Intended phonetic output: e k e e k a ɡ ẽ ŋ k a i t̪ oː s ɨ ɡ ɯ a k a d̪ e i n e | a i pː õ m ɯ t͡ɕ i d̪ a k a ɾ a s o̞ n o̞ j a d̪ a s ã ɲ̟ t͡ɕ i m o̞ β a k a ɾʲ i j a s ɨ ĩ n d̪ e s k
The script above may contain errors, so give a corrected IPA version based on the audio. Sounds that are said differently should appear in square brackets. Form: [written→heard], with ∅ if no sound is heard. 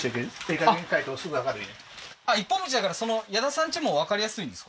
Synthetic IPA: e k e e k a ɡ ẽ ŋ k a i t̪ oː s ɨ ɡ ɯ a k a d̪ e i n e | a i pː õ m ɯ t͡ɕ i d̪ a k a ɾ a s o̞ n o̞ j a d̪ a s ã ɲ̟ t͡ɕ i m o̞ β a k a ɾʲ i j a s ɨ ĩ n d̪ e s k